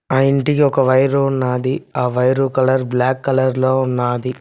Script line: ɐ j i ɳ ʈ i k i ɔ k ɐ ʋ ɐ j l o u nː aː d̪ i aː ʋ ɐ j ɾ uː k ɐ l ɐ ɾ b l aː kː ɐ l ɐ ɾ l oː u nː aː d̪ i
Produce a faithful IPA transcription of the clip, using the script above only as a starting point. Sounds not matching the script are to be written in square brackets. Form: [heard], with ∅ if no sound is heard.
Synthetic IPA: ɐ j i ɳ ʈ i k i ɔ k ɐ ʋ ɐ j [ɾ] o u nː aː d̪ i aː ʋ ɐ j ɾ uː k ɐ l ɐ ɾ b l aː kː ɐ l ɐ ɾ l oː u nː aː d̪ i